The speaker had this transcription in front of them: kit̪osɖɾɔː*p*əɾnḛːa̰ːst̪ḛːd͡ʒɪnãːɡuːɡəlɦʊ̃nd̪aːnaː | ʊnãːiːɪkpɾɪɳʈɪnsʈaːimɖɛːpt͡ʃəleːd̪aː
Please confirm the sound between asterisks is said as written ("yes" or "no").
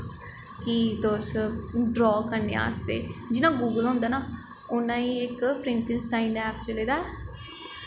no